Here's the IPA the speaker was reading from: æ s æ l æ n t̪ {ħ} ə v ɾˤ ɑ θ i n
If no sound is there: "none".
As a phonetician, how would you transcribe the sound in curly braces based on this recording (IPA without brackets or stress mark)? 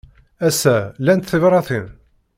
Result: θ